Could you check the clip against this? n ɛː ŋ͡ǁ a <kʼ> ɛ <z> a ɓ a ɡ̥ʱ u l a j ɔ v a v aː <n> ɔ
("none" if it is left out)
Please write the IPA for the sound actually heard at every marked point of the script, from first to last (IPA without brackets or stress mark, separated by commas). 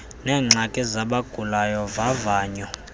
kʼ, z, ɲ